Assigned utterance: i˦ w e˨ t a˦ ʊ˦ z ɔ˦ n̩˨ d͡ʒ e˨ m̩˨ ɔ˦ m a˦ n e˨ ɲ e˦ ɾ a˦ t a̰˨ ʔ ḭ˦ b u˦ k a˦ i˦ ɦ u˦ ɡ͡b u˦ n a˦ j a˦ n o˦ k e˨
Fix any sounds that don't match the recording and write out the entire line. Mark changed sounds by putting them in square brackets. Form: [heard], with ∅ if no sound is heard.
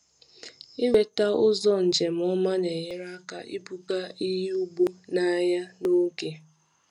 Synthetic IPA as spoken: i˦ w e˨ t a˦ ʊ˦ z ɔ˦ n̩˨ d͡ʒ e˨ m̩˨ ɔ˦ m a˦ n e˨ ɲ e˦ ɾ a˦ [k] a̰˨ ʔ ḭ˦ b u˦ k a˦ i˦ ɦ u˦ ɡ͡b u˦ n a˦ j a˦ n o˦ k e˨